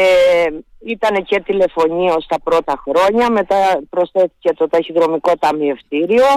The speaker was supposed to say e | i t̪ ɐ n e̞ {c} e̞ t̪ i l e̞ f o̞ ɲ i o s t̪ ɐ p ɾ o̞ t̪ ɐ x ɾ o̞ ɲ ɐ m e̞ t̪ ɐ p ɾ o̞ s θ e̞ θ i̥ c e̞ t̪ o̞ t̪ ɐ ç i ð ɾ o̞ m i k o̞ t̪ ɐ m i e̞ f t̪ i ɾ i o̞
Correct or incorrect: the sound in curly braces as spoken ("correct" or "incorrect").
correct